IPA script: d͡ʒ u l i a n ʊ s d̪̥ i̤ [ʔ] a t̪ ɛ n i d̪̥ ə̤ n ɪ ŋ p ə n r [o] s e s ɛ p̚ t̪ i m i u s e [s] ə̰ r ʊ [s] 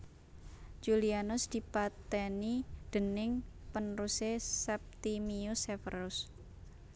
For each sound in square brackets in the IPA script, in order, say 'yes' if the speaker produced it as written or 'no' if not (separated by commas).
no, no, no, yes